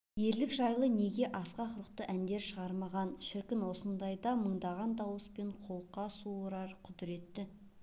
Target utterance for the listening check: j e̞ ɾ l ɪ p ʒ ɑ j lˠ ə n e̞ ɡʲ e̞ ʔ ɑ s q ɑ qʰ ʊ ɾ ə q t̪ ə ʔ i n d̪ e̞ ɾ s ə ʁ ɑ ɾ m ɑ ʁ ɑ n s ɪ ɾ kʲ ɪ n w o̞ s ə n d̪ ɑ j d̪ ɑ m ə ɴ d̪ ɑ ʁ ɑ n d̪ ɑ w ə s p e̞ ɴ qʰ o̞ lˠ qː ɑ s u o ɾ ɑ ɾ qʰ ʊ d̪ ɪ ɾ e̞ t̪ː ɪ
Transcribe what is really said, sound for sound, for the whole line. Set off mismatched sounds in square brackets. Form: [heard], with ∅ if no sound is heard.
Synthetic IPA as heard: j e̞ ɾ l ɪ [k] ʒ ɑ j lˠ ə n e̞ ɡʲ e̞ ʔ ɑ s q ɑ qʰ ʊ ɾ ə q t̪ ə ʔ [æ] n d̪ e̞ ɾ [ʃ] ə ʁ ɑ ɾ m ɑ ʁ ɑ n [ʃ] ɪ ɾ kʲ ɪ n w o̞ s ə n d̪ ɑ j d̪ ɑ m ə ɴ d̪ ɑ ʁ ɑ n d̪ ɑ w ə s p e̞ ɴ qʰ o̞ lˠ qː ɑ s u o ɾ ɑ ɾ qʰ ʊ d̪ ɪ ɾ e̞ t̪ː ɪ